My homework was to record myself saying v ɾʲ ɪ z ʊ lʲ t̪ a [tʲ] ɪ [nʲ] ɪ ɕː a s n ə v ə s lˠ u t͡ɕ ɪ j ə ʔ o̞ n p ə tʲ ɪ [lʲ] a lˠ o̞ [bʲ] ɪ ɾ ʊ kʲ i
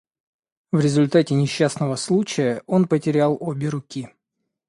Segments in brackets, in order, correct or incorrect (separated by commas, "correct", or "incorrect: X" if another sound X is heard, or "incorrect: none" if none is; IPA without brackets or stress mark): correct, correct, incorrect: ɾʲ, correct